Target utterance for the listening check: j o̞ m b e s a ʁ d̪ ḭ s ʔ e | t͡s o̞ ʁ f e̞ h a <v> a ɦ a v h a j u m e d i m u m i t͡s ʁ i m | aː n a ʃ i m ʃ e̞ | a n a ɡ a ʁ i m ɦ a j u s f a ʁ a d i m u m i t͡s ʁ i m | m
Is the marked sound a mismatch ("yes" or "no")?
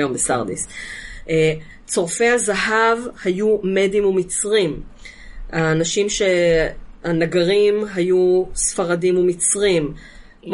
yes